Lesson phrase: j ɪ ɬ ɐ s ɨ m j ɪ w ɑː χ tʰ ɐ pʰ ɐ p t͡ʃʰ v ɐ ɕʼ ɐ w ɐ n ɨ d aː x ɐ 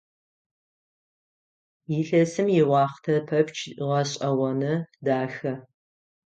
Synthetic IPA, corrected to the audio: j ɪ ɬ ɐ s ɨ m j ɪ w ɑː χ tʰ ɐ pʰ ɐ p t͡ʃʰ ʁ ɐ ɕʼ ɐ w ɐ n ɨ d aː x ɐ